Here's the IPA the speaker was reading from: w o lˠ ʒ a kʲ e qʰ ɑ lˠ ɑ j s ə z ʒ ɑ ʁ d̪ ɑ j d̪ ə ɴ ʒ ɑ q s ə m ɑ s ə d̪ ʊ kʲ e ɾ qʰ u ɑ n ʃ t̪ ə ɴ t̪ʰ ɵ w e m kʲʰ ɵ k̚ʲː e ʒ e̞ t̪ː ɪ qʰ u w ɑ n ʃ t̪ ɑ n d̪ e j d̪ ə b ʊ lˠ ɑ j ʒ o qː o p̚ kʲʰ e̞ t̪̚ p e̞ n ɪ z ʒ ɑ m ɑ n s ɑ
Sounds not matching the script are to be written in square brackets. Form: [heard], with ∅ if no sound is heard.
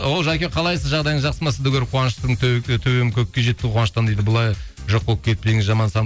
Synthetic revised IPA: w o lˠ ʒ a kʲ e qʰ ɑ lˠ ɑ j s ə z ʒ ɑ ʁ d̪ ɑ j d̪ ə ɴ ʒ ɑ q s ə m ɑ s ə d̪ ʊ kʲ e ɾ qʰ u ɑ n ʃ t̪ ə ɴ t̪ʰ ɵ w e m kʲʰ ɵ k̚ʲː e ʒ e̞ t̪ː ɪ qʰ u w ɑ n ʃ t̪ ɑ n d̪ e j d̪ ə b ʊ lˠ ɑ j ʒ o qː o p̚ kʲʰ e̞ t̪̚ p e̞ [ŋ] ɪ z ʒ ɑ m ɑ n s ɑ